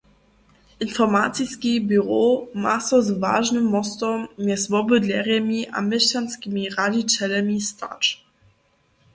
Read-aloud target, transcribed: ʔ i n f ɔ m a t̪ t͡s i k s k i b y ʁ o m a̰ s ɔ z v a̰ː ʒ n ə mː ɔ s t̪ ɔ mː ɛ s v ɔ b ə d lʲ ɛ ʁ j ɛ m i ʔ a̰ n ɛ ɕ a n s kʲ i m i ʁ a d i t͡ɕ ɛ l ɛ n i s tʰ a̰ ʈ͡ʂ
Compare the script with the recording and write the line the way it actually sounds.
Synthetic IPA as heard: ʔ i n f ɔ m a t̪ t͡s i s k i b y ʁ o m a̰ s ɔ z v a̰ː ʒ n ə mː ɔ s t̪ ɔ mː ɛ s v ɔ b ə d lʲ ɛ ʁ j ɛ m i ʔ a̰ m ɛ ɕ a n s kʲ i m i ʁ a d i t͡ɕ ɛ l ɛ m i s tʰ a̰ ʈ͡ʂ